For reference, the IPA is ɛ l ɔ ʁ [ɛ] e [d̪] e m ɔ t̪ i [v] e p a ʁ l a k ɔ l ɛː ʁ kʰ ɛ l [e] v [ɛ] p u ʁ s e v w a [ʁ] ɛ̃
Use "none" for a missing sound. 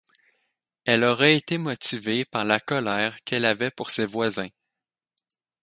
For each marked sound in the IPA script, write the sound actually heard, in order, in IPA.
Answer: ɛ, t̪, v, a, ɛ, z

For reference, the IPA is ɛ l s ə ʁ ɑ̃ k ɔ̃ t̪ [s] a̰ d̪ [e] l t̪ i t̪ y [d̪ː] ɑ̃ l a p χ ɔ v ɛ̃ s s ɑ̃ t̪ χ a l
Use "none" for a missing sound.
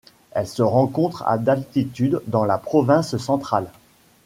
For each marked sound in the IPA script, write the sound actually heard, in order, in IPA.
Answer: χ, a, d̪ː

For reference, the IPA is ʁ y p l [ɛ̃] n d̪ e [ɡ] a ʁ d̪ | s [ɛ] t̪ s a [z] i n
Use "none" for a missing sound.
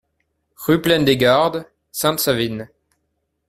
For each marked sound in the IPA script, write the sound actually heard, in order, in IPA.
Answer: ɛ, ɡ, ɛ̃, v

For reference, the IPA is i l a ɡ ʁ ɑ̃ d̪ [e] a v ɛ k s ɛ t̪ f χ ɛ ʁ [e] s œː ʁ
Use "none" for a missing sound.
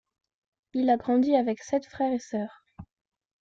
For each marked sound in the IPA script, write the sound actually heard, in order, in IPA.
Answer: i, e

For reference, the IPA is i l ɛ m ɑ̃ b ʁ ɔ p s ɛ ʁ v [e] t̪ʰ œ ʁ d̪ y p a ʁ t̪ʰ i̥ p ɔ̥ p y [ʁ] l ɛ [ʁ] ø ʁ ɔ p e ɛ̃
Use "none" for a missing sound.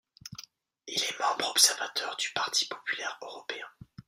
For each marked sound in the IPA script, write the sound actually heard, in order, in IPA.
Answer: a, none, ʁ

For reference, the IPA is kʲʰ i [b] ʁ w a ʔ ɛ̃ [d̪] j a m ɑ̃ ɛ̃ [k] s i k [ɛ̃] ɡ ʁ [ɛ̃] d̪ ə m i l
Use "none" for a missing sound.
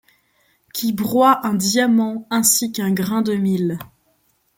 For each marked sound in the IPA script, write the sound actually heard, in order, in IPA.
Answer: b, d̪, none, ɛ̃, ɛ̃

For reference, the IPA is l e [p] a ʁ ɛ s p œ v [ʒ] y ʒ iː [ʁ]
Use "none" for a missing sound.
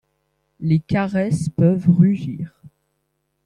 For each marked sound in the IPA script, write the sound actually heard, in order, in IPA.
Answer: k, ʁ, ʁ

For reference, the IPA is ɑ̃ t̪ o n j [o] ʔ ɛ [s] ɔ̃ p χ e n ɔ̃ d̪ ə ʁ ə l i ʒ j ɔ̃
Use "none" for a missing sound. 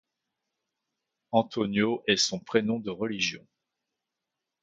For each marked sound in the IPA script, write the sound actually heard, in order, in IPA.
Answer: o, s

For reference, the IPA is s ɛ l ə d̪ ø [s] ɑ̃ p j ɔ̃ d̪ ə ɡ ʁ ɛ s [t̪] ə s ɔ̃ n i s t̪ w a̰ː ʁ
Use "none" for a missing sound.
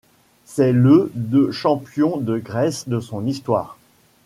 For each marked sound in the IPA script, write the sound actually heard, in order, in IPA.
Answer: ʃ, d̪

